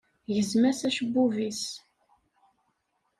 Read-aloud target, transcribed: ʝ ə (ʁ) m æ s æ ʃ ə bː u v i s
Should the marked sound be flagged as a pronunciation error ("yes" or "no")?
yes